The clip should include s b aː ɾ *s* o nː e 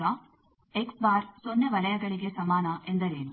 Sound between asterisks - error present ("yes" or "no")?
no